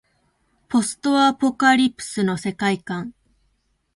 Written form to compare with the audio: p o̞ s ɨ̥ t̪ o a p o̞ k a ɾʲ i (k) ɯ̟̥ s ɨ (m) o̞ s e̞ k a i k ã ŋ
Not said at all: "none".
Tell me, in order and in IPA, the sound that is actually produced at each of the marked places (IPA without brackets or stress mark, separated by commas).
p, n